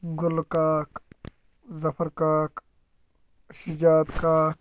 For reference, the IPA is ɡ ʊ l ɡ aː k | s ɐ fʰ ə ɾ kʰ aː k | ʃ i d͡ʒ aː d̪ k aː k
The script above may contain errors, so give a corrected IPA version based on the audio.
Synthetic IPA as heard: ɡ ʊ l k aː k | z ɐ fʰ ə ɾ k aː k | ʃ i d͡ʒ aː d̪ k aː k